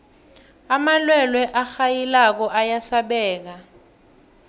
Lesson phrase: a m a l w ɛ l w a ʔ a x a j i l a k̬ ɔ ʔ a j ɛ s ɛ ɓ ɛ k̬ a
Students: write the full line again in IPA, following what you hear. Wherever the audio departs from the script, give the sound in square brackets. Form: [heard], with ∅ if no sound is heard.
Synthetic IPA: a m a l w ɛ l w [ɛ] ʔ a x a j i l a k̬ ɔ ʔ a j [a] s [a] ɓ [ɛː] k̬ a